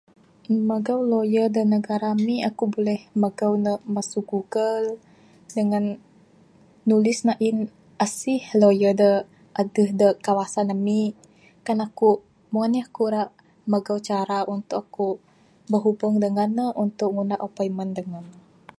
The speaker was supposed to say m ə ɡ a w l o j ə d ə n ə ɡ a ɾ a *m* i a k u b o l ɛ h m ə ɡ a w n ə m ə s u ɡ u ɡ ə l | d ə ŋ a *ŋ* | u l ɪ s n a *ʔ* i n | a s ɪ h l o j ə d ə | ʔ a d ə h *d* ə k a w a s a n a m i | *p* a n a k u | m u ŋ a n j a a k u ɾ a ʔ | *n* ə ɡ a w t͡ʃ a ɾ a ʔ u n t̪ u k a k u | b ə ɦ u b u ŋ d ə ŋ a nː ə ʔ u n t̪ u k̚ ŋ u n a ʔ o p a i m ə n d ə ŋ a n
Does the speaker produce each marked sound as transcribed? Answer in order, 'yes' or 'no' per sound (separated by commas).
yes, no, yes, yes, no, no